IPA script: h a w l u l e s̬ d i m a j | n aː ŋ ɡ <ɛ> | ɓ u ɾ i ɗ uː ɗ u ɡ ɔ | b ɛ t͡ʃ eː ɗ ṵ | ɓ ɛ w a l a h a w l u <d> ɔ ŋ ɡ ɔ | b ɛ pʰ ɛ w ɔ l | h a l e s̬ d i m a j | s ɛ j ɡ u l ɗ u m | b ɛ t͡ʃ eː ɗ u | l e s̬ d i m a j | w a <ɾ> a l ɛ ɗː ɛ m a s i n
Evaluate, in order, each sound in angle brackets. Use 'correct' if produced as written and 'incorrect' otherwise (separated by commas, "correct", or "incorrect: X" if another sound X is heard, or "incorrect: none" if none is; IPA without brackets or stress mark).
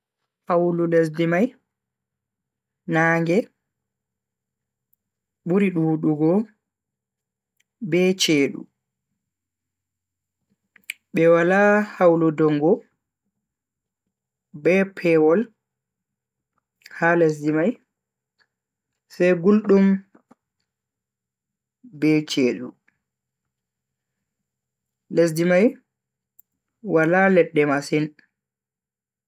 correct, correct, incorrect: l